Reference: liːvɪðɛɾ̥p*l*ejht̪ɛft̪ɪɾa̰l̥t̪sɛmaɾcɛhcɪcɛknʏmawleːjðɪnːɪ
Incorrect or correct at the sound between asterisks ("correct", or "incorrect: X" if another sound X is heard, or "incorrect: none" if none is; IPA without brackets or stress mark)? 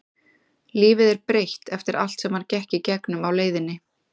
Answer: incorrect: ɾ